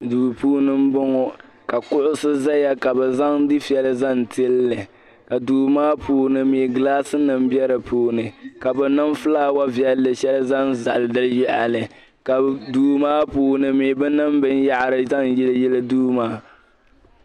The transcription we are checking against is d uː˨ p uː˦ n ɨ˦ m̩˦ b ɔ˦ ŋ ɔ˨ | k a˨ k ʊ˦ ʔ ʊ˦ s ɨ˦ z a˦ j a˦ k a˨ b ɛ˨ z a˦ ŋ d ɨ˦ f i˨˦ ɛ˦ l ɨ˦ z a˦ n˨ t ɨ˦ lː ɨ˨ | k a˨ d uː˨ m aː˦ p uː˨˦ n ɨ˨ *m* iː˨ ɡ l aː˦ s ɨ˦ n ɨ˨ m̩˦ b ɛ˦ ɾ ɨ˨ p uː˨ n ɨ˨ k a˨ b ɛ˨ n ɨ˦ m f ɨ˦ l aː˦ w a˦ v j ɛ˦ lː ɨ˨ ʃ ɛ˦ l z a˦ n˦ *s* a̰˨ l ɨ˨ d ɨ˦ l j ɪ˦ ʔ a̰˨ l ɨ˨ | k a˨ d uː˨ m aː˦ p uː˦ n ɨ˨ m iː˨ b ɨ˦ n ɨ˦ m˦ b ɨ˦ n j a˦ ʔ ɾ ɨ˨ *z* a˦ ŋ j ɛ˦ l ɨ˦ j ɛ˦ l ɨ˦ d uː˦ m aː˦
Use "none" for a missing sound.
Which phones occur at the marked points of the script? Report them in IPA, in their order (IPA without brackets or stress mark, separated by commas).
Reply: m, z, z